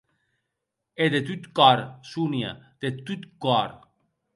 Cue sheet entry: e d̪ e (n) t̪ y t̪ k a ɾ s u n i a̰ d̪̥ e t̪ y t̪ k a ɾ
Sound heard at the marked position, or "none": none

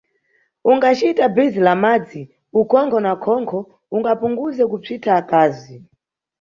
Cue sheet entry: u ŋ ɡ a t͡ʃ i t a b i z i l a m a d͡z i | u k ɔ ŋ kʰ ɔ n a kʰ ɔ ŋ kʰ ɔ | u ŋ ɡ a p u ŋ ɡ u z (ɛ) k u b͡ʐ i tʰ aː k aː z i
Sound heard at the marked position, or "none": ɛ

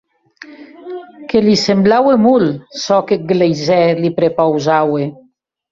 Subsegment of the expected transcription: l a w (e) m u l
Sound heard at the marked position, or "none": e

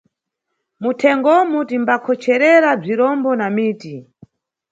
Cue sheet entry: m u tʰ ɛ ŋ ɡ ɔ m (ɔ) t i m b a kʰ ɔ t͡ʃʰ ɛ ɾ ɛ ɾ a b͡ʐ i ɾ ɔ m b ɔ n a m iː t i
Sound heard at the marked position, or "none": u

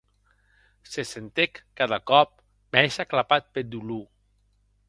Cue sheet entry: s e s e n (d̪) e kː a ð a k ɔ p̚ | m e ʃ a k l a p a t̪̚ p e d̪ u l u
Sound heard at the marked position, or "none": t̪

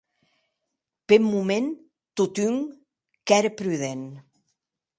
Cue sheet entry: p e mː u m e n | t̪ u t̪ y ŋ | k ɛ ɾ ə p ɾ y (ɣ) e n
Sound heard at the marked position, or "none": ð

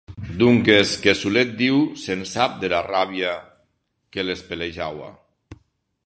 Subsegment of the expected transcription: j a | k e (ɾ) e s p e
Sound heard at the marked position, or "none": l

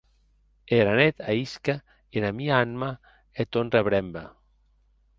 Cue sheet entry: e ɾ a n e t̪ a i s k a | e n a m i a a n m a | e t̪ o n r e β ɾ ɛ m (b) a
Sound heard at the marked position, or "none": b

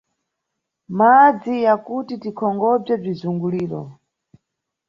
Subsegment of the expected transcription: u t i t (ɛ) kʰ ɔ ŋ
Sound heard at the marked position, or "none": i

